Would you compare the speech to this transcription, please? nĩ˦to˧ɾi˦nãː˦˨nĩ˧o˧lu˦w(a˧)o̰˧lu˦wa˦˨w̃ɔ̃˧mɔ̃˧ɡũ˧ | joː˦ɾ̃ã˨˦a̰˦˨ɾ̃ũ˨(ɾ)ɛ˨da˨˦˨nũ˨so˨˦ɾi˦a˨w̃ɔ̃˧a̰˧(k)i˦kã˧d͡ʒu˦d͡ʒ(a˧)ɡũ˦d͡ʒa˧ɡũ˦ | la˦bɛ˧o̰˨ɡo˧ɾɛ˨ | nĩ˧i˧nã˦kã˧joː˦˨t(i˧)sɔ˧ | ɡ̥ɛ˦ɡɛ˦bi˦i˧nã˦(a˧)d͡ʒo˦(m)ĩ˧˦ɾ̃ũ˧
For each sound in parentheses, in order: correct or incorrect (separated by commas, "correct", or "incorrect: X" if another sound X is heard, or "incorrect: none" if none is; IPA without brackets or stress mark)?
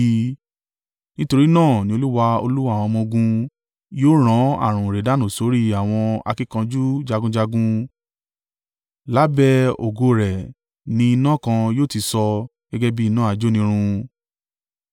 correct, correct, correct, correct, correct, correct, incorrect: n